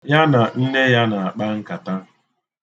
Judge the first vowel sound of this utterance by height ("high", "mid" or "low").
low